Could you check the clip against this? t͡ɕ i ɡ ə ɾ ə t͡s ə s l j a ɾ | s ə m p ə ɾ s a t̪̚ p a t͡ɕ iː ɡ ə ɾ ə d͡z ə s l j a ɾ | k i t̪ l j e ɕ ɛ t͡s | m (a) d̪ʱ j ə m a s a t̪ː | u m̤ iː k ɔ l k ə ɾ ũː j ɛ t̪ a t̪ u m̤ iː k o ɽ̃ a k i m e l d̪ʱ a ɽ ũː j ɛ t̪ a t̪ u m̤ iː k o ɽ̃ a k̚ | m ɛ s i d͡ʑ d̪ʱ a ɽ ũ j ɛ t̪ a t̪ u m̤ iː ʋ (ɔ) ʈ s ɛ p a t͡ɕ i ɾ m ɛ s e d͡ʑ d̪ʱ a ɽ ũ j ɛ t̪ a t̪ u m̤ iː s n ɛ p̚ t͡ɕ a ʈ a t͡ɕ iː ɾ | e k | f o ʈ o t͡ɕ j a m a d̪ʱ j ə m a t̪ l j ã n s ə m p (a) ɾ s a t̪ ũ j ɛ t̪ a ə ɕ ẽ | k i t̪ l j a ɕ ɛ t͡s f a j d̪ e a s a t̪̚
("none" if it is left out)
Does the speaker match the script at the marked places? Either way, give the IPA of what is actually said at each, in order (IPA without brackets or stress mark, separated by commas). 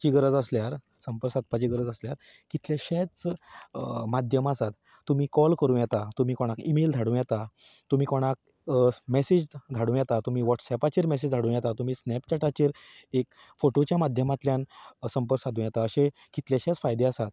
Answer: a, ɔ, ə